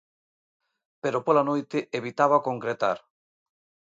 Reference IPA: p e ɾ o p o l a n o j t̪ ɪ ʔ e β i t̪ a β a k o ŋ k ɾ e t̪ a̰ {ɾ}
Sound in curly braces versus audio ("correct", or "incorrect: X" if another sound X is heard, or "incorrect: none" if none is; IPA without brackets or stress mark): correct